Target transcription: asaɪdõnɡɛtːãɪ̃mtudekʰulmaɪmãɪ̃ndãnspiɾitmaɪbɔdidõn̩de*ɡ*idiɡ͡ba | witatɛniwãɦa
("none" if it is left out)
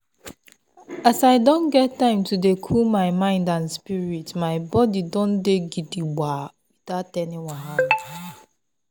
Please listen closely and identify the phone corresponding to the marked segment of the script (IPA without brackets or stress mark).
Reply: ɡ